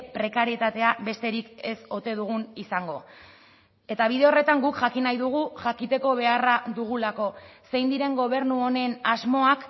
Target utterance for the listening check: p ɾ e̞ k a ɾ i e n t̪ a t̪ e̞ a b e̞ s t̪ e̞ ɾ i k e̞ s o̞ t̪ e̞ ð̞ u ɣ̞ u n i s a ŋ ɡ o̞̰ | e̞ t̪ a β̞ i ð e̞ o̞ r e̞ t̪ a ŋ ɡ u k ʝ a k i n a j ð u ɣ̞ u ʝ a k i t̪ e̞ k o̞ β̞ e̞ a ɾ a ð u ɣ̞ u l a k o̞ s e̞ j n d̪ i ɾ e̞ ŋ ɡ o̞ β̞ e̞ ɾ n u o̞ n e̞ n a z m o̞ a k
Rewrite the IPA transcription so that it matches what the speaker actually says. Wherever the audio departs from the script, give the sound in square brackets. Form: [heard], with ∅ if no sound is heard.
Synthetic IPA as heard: p ɾ e̞ k a ɾ i e [∅] t̪ a t̪ e̞ a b e̞ s t̪ e̞ ɾ i k e̞ s o̞ t̪ e̞ ð̞ u ɣ̞ u n i s a ŋ ɡ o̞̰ | e̞ t̪ a β̞ i ð e̞ o̞ r e̞ t̪ a ŋ ɡ u k ʝ a k i n a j ð u ɣ̞ u ʝ a k i t̪ e̞ k o̞ β̞ e̞ a [r] a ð u ɣ̞ u l a k o̞ s e̞ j n d̪ i ɾ e̞ ŋ ɡ o̞ β̞ e̞ ɾ n u o̞ n e̞ n a z m o̞ a k